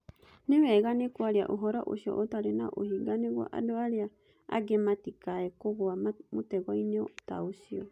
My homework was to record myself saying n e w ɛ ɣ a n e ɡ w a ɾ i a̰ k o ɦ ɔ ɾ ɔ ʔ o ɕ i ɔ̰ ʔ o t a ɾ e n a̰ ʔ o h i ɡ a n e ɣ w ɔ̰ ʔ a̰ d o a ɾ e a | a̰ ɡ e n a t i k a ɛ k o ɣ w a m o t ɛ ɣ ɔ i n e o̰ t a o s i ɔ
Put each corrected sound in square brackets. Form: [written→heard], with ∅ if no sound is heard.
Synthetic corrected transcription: n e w ɛ ɣ a n e [ɡ→k] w a ɾ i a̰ [k→ʔ] o ɦ ɔ ɾ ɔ ʔ o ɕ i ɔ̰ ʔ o t a ɾ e n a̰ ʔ o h i ɡ a n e ɣ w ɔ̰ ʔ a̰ d o a ɾ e a | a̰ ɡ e [n→m] a t i k a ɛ k o ɣ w a m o t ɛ ɣ ɔ i n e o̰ t a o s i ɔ